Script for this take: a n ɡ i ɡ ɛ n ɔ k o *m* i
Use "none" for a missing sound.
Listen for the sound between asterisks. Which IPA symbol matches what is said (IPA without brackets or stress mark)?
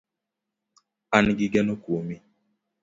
m